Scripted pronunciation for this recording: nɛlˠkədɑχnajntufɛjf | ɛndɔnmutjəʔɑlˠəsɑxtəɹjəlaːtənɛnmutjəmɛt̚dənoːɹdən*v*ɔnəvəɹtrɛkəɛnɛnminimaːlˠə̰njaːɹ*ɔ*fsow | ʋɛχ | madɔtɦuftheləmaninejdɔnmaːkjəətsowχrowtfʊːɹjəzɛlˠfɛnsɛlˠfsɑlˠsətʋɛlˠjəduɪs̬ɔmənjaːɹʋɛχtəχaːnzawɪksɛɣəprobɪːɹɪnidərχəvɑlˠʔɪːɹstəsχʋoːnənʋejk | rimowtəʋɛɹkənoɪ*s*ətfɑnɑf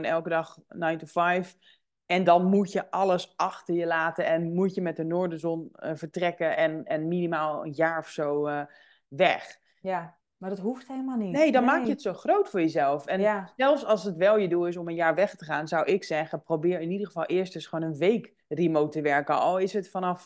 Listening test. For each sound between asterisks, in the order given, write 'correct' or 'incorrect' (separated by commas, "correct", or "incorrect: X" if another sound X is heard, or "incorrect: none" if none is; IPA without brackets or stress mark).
incorrect: z, correct, correct